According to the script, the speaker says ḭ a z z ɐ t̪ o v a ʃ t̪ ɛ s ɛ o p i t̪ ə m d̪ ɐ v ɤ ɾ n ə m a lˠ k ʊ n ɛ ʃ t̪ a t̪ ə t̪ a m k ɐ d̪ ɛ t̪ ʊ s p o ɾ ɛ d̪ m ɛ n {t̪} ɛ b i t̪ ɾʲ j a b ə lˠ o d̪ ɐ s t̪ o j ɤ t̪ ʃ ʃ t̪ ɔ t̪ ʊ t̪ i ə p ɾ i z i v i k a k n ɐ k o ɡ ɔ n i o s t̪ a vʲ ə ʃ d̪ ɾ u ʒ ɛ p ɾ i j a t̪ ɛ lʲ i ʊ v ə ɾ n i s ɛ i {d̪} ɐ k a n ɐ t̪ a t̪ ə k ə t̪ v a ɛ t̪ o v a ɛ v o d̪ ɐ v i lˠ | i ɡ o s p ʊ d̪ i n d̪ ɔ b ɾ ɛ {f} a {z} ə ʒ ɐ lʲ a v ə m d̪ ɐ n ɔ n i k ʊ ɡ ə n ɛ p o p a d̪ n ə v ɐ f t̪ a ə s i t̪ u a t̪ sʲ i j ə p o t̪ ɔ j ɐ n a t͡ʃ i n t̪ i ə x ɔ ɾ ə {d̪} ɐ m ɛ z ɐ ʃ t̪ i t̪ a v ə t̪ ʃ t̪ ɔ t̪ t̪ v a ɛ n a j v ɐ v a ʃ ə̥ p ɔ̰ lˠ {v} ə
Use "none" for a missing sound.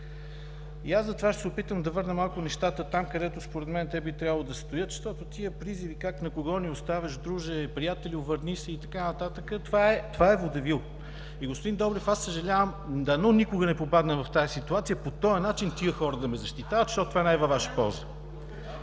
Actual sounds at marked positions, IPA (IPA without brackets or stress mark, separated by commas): t̪, t̪, f, s, d̪, z